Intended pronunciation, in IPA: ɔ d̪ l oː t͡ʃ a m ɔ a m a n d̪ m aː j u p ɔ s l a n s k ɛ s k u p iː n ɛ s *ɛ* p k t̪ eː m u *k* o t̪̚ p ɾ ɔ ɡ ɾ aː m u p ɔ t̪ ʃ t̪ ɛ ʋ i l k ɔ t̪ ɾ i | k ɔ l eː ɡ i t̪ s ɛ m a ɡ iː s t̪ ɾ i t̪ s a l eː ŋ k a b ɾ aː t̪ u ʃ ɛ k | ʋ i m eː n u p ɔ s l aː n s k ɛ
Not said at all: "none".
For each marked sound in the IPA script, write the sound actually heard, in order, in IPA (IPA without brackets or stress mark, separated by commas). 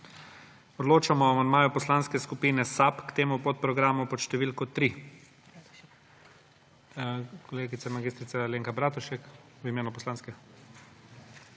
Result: a, p